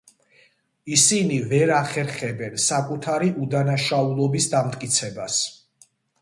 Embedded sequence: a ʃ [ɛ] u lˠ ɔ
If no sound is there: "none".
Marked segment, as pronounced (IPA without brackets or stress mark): a